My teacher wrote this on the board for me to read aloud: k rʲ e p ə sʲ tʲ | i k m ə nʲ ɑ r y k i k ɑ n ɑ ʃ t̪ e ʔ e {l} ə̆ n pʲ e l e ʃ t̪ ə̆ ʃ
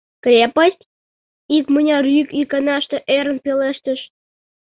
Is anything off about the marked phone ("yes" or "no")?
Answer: yes